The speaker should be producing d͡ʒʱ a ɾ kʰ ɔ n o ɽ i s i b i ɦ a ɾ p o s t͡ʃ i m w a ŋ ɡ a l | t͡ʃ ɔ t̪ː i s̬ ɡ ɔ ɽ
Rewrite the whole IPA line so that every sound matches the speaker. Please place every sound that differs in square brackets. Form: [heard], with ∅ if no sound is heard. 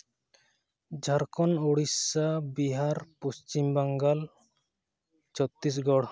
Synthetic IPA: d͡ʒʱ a ɾ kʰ ɔ n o ɽ i s [a] b i ɦ a ɾ p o s t͡ʃ i m [b] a ŋ ɡ a l | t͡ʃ ɔ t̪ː i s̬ ɡ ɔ ɽ